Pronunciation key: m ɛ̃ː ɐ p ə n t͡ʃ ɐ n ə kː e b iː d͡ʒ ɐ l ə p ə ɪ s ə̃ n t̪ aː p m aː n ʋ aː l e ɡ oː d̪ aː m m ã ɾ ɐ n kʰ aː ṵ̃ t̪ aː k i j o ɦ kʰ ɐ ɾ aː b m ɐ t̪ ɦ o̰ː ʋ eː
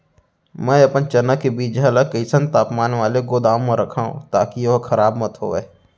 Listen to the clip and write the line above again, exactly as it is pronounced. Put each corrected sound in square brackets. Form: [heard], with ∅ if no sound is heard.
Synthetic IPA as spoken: m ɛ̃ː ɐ p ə n t͡ʃ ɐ n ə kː e b iː d͡ʒ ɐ l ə [k] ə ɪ s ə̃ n t̪ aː p m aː n ʋ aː l e ɡ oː d̪ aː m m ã ɾ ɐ [∅] kʰ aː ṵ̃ t̪ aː k i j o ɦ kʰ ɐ ɾ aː b m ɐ t̪ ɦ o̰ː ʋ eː